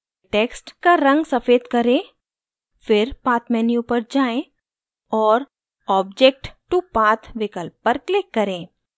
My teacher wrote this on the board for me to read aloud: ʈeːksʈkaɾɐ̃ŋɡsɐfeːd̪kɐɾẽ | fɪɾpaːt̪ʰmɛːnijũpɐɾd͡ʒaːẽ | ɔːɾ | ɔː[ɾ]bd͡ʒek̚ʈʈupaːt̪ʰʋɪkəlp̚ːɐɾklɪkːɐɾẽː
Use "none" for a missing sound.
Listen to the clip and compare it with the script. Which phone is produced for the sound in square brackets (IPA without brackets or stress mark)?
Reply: none